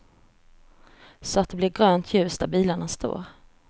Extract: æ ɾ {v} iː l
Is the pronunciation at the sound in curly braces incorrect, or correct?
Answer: incorrect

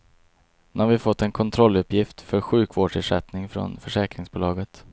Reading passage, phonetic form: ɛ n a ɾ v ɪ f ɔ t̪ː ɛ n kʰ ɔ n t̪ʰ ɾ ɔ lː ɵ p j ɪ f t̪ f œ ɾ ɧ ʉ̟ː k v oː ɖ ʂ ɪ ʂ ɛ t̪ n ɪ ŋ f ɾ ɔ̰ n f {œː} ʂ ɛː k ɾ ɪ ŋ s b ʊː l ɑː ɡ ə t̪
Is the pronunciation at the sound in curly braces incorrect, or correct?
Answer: incorrect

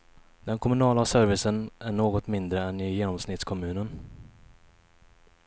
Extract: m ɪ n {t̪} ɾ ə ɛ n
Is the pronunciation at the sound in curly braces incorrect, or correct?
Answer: incorrect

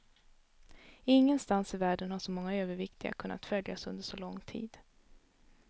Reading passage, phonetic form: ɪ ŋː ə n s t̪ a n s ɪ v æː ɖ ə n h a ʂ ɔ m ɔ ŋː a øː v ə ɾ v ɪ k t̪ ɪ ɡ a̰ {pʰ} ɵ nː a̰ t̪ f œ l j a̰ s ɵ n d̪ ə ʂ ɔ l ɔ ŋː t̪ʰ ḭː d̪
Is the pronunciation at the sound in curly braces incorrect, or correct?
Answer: incorrect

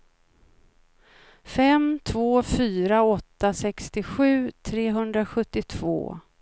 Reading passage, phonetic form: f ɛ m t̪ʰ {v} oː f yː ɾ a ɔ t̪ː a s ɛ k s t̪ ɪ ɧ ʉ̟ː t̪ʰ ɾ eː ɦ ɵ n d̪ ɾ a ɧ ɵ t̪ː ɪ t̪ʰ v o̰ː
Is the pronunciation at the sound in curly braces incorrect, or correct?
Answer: correct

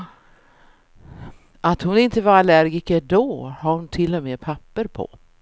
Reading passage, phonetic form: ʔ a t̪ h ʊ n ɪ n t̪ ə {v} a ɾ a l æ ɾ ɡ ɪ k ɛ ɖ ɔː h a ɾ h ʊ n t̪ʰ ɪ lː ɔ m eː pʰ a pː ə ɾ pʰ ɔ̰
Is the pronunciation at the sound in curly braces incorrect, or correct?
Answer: correct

